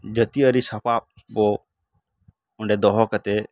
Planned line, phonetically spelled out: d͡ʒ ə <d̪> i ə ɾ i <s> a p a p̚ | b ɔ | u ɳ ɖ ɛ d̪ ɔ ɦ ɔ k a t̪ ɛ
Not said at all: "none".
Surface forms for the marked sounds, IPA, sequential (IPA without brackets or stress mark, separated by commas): t̪, s